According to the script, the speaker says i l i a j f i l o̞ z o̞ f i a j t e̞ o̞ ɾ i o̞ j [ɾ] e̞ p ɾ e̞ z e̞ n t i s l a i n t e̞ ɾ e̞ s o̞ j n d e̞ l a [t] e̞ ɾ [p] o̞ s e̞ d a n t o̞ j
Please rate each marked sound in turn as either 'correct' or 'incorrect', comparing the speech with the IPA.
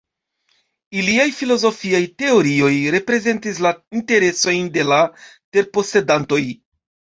correct, correct, correct

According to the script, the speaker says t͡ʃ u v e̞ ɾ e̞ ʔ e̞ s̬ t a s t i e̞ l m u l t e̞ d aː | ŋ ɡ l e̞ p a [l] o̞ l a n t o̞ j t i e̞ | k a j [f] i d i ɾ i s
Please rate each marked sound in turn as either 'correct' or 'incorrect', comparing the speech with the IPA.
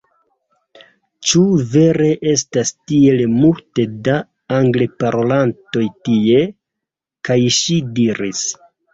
incorrect: ɾ, incorrect: ʃ

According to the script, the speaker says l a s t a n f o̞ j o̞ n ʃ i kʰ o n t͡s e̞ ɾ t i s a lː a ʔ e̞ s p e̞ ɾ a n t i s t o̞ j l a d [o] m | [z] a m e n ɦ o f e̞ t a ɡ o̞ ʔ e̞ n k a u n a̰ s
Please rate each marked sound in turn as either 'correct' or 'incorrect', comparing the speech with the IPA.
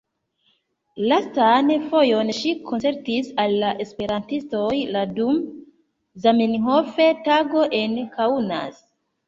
incorrect: u, correct

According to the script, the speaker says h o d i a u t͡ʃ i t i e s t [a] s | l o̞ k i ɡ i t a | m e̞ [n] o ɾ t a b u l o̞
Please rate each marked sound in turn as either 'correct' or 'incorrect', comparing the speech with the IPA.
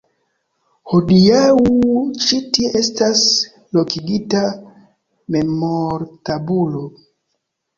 correct, incorrect: m

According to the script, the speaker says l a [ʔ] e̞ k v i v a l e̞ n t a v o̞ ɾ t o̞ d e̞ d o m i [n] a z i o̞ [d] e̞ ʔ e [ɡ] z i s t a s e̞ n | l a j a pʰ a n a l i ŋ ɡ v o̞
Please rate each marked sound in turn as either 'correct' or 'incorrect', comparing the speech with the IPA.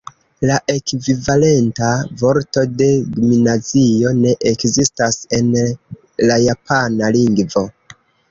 correct, correct, incorrect: n, incorrect: k

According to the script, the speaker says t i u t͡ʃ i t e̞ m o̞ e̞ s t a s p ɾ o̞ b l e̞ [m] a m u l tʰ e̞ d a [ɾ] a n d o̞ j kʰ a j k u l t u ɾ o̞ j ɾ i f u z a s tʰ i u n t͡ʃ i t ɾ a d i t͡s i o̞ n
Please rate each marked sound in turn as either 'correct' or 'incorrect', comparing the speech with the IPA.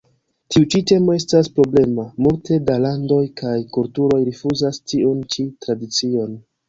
correct, incorrect: l

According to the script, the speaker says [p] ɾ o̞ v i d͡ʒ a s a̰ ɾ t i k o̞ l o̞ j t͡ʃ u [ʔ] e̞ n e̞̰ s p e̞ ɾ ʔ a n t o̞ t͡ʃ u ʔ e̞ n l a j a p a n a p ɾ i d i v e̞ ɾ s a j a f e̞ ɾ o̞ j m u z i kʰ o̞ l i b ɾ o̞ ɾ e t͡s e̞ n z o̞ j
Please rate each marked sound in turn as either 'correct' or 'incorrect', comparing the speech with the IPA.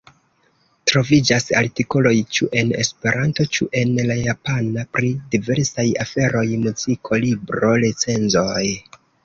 incorrect: t, correct

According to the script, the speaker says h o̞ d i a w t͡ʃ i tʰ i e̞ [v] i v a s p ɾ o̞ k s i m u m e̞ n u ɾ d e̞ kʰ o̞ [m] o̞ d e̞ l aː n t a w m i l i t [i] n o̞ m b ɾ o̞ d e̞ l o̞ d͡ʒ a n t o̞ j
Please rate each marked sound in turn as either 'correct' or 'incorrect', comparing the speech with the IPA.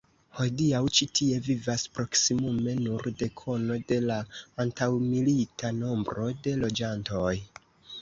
correct, incorrect: n, incorrect: a

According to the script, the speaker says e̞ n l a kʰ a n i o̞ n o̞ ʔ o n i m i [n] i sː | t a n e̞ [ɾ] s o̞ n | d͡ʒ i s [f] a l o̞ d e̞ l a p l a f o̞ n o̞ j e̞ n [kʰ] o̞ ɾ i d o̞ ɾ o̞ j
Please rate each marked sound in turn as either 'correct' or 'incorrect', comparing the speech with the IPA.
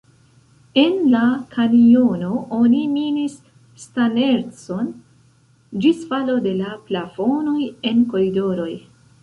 correct, correct, correct, incorrect: k

